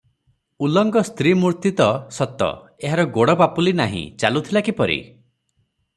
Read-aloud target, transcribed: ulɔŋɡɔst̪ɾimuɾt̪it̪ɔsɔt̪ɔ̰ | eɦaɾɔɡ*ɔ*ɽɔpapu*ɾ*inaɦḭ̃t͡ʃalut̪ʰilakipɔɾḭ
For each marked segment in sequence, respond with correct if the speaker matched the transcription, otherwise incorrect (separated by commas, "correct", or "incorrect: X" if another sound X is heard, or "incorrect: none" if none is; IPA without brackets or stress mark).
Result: incorrect: o, incorrect: l